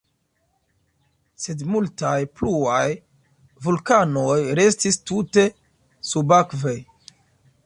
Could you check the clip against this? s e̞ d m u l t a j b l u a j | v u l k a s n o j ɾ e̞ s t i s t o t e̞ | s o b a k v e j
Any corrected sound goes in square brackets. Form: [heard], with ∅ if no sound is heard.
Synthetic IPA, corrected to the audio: s e̞ d m u l t a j [p] l u a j | v u l k a [∅] n o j ɾ e̞ s t i s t [u] t e̞ | s [u] b a k v e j